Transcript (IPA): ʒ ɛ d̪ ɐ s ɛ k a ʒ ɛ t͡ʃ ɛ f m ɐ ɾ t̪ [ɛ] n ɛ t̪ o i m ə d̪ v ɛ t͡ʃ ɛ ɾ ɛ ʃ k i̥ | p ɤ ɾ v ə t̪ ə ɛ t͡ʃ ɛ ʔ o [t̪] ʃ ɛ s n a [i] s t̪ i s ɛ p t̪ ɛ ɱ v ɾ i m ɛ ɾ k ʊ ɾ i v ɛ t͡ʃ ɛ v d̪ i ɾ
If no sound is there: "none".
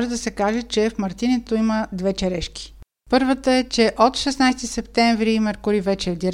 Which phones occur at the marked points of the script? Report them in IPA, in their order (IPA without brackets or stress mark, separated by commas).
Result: i, t̪, j